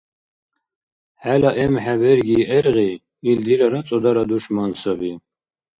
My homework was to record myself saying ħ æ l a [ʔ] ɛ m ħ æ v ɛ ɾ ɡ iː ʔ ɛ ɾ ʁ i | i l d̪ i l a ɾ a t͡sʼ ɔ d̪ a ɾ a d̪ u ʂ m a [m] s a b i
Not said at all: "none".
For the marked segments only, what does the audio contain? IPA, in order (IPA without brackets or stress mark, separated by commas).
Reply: ʔ, n